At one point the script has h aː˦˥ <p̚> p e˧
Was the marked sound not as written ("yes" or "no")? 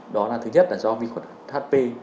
yes